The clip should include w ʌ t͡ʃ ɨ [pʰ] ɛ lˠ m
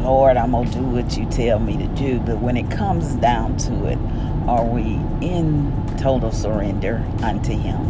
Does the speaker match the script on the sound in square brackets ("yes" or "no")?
no